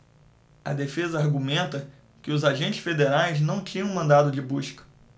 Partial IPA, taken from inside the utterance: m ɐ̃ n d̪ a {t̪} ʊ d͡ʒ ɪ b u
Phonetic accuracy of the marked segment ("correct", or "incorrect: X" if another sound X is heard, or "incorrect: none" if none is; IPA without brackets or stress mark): incorrect: d̪